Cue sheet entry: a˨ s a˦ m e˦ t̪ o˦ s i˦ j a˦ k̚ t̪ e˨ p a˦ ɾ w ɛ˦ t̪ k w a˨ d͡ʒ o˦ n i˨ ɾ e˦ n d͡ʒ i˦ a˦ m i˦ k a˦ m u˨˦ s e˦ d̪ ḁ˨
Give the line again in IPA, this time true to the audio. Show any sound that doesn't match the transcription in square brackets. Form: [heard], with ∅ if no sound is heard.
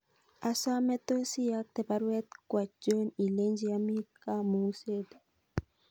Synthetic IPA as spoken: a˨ s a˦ m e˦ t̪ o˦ s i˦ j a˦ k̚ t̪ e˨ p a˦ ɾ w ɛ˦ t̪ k w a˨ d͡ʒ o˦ n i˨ [l] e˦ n d͡ʒ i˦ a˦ m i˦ k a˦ m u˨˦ s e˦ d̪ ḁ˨